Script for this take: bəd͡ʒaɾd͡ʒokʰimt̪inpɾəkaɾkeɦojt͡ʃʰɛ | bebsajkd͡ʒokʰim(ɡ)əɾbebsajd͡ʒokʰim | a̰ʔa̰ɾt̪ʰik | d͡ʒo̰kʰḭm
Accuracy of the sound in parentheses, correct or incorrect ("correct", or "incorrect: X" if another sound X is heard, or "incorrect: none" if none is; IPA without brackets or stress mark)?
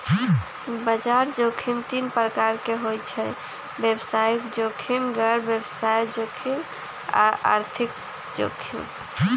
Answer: correct